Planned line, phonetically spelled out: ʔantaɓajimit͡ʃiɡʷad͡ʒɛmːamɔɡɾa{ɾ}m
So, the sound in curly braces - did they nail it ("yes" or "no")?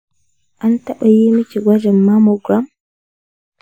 no